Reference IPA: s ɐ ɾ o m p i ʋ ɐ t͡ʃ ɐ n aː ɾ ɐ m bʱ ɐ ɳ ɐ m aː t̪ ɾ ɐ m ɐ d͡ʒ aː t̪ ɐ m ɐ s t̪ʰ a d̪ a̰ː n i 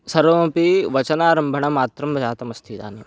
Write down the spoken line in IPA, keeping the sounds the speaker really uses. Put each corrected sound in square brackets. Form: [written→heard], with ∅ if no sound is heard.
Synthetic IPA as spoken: s ɐ ɾ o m p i ʋ ɐ t͡ʃ ɐ n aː ɾ ɐ m bʱ ɐ ɳ ɐ m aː t̪ ɾ ɐ m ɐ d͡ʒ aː t̪ ɐ m ɐ s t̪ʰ [a→i] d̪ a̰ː n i

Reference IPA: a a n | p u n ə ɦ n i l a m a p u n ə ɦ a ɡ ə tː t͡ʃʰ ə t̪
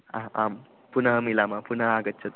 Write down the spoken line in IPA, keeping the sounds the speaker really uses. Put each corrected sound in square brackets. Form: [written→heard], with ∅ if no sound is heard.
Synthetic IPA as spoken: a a [n→m] | p u n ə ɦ [n→m] i l a m a p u n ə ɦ a ɡ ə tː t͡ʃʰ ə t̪

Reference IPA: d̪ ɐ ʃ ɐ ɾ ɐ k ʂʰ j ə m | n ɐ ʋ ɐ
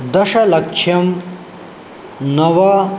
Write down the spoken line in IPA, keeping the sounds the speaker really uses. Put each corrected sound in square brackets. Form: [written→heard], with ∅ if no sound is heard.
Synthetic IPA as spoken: d̪ ɐ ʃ ɐ [ɾ→l] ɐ k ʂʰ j [ə→ɐ] m | n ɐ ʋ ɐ

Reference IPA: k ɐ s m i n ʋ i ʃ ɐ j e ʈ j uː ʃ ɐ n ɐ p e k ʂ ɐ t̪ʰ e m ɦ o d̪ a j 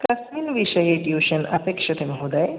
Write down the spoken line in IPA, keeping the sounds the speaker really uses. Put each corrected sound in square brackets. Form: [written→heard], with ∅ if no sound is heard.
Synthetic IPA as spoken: k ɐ s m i n ʋ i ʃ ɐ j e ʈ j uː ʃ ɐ n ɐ p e k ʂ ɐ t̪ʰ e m ɦ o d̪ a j

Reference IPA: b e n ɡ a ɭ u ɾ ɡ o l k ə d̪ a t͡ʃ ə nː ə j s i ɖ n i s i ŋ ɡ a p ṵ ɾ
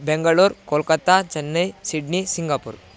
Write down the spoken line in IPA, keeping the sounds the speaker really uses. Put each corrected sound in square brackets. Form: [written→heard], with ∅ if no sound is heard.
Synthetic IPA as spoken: b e [n→ŋ] ɡ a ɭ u ɾ [ɡ→k] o l k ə [d̪→t̪] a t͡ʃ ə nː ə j s i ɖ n i s i ŋ ɡ a p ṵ ɾ

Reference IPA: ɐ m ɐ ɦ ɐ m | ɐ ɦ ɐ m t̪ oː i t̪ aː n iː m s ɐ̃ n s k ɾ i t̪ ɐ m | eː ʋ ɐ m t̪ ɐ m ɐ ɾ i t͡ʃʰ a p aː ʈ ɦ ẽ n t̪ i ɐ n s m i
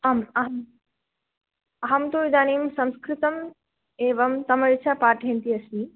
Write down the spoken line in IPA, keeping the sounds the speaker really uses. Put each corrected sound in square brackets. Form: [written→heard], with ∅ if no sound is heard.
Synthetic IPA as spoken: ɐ m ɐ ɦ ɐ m | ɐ ɦ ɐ m t̪ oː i [t̪→d̪] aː n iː m s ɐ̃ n s k ɾ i t̪ ɐ m | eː ʋ ɐ m t̪ ɐ m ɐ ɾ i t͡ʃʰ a p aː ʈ ɦ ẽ n t̪ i ɐ [n→∅] s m i

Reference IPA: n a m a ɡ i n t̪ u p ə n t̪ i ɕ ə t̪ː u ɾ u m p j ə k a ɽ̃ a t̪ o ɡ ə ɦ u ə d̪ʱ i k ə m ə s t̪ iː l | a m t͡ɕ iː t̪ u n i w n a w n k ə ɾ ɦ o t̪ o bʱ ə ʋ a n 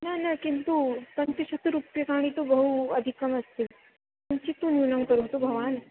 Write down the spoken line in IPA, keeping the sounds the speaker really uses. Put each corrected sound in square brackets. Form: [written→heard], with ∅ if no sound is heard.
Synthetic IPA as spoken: n a [m→n] a [ɡ→k] i n t̪ u p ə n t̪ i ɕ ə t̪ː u ɾ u [m→∅] p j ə k a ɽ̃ [a→i] t̪ o [ɡ→b] ə ɦ u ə d̪ʱ i k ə m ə s t̪ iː l | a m t͡ɕ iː t̪ u n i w n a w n k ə ɾ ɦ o t̪ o bʱ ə ʋ a n

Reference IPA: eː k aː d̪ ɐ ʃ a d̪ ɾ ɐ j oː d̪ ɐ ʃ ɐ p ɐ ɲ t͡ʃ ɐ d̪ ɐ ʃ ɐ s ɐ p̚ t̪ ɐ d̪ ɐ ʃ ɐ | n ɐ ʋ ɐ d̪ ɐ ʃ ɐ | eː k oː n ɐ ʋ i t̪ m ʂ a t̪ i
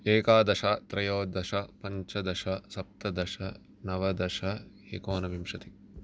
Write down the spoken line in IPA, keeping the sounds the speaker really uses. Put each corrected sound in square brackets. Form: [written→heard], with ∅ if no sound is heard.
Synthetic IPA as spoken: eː k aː d̪ ɐ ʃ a [d̪→t̪] ɾ ɐ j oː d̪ ɐ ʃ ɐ p ɐ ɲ t͡ʃ ɐ d̪ ɐ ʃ ɐ s ɐ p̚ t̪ ɐ d̪ ɐ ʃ ɐ | n ɐ ʋ ɐ d̪ ɐ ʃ ɐ | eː k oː n ɐ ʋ i [t̪→∅] m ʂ [a→ɐ] t̪ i

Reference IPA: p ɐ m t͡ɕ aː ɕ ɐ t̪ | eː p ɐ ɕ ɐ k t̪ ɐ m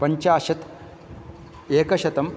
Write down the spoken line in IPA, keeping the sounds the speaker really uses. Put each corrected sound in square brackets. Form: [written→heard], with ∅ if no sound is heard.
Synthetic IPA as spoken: p ɐ [m→ɲ] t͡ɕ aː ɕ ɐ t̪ | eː [p→k] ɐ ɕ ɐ [k→∅] t̪ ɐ m

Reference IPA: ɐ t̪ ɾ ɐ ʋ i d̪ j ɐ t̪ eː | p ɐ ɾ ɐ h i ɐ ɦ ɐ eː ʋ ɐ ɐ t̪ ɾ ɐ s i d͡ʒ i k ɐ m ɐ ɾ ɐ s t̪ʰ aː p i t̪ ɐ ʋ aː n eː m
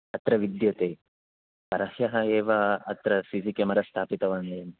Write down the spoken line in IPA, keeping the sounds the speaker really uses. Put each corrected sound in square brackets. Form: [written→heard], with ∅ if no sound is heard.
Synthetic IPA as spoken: ɐ t̪ ɾ ɐ ʋ i d̪ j ɐ t̪ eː | p ɐ ɾ ɐ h [i→j] ɐ ɦ ɐ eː ʋ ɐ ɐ t̪ ɾ ɐ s i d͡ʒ i k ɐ m ɐ ɾ ɐ s t̪ʰ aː p i t̪ ɐ ʋ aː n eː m

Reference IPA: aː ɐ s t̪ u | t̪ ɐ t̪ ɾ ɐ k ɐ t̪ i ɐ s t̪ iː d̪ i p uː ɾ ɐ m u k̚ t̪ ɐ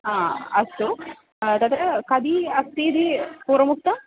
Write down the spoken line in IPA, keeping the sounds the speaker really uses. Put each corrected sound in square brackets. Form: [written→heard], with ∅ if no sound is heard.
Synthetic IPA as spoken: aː ɐ s t̪ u | t̪ ɐ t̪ ɾ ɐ k ɐ [t̪→d̪] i ɐ s t̪ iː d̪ i p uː ɾ ɐ m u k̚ t̪ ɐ

